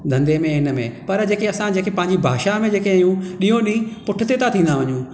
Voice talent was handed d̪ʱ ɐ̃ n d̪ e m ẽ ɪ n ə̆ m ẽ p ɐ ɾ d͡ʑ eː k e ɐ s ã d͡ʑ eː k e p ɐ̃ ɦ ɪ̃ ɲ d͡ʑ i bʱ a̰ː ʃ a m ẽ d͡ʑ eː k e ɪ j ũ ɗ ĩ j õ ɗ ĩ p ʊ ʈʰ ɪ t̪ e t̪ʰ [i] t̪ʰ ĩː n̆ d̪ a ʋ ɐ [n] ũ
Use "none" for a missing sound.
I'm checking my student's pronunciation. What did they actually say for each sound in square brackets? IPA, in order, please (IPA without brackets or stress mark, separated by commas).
a, ɲ